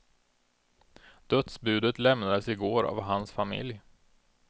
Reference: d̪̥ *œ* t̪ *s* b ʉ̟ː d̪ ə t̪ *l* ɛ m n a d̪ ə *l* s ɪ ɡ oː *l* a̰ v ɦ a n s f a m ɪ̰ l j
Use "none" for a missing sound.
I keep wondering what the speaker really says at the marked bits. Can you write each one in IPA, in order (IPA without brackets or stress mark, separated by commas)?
œ, s, l, none, ɾ